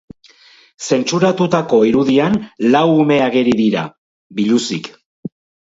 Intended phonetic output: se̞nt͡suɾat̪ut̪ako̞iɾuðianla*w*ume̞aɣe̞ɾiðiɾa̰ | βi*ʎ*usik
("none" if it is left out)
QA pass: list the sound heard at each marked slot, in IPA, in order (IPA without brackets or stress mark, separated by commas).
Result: w, ʎ